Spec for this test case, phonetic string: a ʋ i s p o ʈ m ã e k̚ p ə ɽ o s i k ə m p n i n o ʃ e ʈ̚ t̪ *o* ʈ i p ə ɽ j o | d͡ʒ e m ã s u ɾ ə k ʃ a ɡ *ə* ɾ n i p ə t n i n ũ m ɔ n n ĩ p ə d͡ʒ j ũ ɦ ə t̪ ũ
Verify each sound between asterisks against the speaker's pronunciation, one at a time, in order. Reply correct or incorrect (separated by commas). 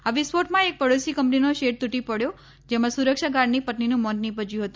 incorrect, incorrect